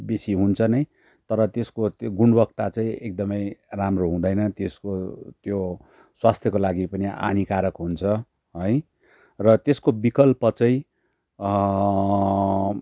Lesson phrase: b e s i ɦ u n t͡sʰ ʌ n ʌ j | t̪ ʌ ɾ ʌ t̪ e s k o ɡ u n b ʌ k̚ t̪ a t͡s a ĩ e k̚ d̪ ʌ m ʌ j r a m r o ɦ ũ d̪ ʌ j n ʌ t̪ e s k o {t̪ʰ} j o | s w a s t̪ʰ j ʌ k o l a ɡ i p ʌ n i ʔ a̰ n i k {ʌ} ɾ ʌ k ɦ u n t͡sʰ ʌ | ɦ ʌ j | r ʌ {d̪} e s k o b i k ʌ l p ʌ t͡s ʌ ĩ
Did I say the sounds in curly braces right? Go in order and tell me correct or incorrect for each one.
incorrect, incorrect, incorrect

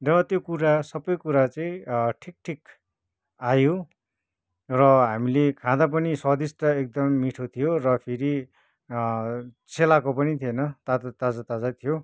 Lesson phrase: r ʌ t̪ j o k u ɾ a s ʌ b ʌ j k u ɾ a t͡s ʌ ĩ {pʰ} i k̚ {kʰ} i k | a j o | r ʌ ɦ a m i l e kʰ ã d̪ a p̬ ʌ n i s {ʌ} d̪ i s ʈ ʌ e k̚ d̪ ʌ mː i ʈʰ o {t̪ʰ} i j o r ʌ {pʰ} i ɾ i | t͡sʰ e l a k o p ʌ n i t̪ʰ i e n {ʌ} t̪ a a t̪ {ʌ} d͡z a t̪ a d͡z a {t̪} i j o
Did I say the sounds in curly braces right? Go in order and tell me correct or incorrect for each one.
incorrect, incorrect, correct, correct, correct, correct, incorrect, incorrect

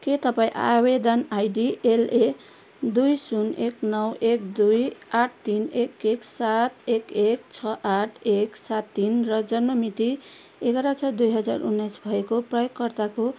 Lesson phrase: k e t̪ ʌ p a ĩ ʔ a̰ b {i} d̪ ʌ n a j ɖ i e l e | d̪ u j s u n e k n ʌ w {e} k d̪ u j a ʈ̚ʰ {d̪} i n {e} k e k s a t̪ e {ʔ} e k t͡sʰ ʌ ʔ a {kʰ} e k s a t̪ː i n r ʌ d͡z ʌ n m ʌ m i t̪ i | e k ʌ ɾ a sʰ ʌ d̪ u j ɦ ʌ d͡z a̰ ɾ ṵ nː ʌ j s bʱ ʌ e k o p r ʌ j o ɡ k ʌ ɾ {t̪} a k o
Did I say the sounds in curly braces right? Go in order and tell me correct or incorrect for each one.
incorrect, correct, incorrect, correct, incorrect, incorrect, correct

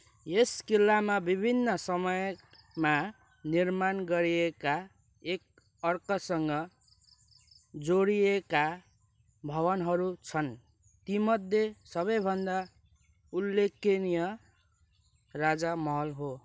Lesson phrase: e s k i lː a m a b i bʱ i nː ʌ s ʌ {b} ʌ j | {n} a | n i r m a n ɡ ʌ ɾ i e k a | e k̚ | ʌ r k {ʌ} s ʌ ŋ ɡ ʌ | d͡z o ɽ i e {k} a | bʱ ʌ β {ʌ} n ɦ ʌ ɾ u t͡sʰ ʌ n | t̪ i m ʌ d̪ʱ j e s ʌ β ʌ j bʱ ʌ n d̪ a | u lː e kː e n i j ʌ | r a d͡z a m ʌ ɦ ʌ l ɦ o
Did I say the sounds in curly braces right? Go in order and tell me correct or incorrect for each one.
incorrect, incorrect, correct, correct, correct

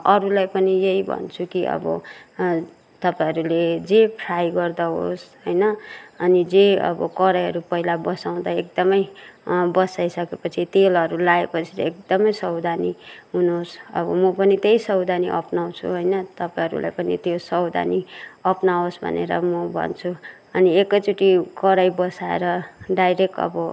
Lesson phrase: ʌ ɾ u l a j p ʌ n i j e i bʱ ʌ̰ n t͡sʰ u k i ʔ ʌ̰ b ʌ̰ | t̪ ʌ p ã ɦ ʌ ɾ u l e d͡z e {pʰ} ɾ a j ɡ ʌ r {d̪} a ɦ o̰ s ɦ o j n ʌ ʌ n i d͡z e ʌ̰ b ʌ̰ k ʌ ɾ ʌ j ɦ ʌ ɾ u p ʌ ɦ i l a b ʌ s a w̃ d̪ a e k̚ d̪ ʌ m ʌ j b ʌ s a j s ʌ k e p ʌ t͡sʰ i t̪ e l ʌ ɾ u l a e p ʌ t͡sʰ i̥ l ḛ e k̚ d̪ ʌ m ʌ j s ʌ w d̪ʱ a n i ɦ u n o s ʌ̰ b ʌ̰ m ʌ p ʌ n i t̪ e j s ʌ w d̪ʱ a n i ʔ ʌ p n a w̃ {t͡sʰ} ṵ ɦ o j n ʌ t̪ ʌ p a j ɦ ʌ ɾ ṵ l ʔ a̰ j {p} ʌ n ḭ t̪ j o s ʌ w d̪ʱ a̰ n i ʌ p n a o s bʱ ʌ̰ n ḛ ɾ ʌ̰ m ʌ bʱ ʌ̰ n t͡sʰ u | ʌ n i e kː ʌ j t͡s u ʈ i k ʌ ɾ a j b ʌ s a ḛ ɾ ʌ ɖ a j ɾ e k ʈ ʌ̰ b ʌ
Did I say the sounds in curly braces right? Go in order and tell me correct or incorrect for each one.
correct, correct, correct, correct

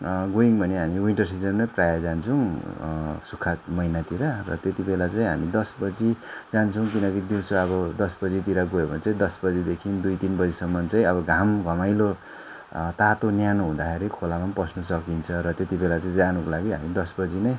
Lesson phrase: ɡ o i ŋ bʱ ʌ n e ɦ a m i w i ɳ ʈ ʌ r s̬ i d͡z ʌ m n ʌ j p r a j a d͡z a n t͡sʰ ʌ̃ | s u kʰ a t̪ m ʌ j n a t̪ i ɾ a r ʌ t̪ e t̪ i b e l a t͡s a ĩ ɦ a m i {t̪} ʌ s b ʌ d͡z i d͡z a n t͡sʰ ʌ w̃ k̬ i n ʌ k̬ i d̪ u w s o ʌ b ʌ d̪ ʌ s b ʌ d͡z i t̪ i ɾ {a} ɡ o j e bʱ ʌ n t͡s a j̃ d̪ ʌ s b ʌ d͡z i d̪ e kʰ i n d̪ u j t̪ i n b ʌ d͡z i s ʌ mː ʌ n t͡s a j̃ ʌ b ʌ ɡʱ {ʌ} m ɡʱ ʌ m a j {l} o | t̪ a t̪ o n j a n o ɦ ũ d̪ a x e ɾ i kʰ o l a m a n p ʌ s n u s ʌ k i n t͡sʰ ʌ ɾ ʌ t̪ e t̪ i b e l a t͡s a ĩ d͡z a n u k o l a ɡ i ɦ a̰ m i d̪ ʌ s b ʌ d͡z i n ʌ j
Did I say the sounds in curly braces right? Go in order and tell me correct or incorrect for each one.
incorrect, correct, incorrect, correct

